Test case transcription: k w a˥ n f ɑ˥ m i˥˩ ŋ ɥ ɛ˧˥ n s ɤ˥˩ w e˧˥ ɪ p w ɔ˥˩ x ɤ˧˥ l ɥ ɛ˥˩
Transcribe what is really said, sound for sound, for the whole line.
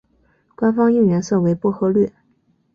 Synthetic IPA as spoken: k w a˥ n f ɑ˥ ŋ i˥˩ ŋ ɥ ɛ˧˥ n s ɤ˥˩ w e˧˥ ɪ p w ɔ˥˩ x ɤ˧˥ l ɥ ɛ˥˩

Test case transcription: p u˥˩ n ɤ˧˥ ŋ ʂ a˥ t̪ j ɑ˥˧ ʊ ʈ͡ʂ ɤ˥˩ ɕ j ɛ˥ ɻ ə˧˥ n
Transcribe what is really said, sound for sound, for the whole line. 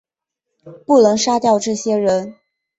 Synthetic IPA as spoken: p u˥˩ n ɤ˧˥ ŋ ʂ a˥ t̪ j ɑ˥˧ ʊ ʈ͡ʂ ɤ˥˩ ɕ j ɛ˥ ɻ ə˧˥ n

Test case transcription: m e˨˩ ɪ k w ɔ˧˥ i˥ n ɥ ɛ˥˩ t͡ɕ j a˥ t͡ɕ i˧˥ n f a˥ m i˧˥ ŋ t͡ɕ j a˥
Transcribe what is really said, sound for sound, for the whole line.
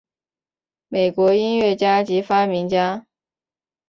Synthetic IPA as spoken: m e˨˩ ɪ k w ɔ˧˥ i˥ n ɥ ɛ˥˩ t͡ɕ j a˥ t͡ɕ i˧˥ f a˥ m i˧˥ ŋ t͡ɕ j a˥

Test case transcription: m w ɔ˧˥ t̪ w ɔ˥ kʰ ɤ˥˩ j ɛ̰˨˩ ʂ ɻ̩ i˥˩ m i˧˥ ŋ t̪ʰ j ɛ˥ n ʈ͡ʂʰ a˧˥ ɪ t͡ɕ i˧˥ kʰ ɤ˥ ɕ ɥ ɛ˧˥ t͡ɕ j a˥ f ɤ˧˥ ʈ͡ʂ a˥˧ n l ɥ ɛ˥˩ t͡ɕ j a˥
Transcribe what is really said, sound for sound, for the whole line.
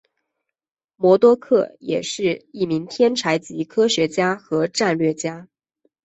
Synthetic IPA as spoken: m w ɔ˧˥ t̪ w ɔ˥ kʰ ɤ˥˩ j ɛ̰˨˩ ʂ ɻ̩ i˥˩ m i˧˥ ŋ t̪ʰ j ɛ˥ n ʈ͡ʂʰ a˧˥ ɪ t͡ɕ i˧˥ kʰ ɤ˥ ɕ ɥ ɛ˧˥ t͡ɕ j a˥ x ɤ˧˥ ʈ͡ʂ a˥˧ n l ɥ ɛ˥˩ t͡ɕ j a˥

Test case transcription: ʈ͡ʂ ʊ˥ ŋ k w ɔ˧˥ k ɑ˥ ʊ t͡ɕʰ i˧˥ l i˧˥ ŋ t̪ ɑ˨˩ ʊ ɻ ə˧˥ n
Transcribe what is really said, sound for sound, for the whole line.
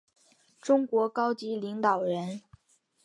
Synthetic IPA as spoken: ʈ͡ʂ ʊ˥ ŋ k w ɔ˧˥ k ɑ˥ ʊ t͡ɕ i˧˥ l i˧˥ ŋ t̪ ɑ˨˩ ʊ ɻ ə˧˥ n

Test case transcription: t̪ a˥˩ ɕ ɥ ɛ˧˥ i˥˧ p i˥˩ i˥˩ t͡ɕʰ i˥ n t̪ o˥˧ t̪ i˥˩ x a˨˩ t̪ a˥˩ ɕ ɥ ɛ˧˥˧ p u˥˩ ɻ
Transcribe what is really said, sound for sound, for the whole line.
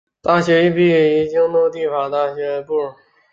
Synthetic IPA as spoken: t̪ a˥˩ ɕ ɥ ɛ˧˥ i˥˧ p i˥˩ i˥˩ t͡ɕ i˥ ŋ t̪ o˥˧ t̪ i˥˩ f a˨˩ t̪ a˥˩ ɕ ɥ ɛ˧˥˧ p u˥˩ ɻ

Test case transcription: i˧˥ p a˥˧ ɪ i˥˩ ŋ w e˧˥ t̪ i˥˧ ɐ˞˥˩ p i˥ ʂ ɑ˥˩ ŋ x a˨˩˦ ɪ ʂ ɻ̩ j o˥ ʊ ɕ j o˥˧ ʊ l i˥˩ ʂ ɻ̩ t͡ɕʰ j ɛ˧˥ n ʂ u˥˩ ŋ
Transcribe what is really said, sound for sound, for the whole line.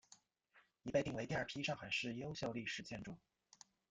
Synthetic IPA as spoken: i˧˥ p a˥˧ ɪ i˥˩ ŋ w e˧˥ t̪ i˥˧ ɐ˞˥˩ pʰ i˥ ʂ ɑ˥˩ ŋ x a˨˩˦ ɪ ʂ ɻ̩ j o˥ ʊ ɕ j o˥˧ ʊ l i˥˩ ʂ ɻ̩ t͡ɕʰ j ɛ˥˧ n ʈ͡ʂ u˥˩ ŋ

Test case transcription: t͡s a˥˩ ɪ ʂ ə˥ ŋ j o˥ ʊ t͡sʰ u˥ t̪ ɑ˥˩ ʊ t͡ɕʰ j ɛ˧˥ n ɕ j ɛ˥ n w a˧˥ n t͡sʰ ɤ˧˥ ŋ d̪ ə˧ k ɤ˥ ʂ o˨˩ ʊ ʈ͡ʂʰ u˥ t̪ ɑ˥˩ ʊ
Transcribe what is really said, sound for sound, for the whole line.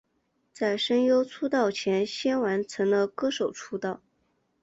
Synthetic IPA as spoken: t͡s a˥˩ ɪ ʂ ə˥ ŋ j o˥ ʊ t͡sʰ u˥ t̪ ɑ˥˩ ʊ t͡ɕʰ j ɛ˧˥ n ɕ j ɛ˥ n w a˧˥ n t͡sʰ ɤ˧˥ ŋ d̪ ə˧ k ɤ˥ ʂ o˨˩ ʊ ʈ͡ʂʰ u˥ t̪ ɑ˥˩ ʊ

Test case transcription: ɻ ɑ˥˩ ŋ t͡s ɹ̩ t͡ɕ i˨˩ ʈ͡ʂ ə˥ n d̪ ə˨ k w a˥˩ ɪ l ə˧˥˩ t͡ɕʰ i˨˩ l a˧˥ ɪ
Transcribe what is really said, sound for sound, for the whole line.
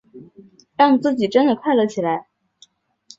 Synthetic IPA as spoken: ɻ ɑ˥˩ ŋ t͡s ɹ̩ t͡ɕ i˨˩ ʈ͡ʂ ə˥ n d̪ ə˨ kʰ w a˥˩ ɪ l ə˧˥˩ t͡ɕʰ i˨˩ l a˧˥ ɪ

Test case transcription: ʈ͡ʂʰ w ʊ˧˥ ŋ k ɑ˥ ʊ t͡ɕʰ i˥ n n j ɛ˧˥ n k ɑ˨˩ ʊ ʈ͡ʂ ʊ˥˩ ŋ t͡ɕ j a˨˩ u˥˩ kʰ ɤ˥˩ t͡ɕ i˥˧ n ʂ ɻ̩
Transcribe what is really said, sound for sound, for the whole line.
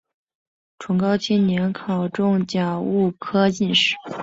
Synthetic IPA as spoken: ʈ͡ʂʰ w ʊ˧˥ ŋ k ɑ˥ ʊ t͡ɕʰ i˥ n n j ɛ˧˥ n kʰ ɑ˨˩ ʊ ʈ͡ʂ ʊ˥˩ ŋ t͡ɕ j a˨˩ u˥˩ kʰ ɤ˥ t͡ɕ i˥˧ n ʂ ɻ̩

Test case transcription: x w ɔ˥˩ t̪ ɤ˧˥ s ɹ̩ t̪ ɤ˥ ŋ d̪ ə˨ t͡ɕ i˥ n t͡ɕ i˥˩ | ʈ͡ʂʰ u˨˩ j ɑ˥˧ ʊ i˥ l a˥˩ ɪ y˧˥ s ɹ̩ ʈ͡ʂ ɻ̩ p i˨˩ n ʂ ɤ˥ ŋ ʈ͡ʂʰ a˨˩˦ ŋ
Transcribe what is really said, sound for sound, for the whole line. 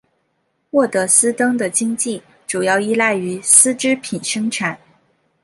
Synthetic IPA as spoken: x w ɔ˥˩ t̪ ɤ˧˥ s ɹ̩ t̪ ɤ˥ ŋ d̪ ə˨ t͡ɕ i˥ ŋ t͡ɕ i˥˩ | ʈ͡ʂ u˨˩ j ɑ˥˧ ʊ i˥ l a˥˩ ɪ y˧˥ s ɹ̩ ʈ͡ʂ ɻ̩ pʰ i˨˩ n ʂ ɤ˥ ŋ ʈ͡ʂʰ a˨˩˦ n

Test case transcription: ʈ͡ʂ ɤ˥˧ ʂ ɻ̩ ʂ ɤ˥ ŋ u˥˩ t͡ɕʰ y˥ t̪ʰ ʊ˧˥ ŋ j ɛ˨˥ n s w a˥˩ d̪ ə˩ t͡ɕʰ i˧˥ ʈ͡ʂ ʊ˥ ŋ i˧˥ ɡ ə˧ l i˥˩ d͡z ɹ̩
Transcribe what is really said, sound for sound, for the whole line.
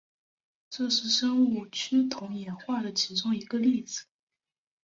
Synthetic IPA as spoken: ʈ͡ʂ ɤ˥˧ ʂ ɻ̩ ʂ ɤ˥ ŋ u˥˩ t͡ɕʰ y˥ t̪ʰ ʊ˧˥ ŋ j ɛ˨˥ n x w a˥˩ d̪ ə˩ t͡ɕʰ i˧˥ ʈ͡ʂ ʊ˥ ŋ i˧˥ ɡ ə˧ l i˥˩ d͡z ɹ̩

